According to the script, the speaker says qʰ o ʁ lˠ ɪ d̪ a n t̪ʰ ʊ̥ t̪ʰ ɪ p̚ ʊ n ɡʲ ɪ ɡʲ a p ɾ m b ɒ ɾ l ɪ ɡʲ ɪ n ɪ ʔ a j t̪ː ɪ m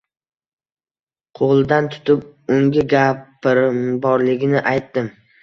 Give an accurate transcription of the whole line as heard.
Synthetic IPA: qʰ o ʁ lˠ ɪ d̪ a n t̪ʰ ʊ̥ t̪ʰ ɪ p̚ ʊ ŋ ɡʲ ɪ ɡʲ a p ɾ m b ɒ ɾ l ɪ ɡʲ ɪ n ɪ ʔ a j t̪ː ɪ m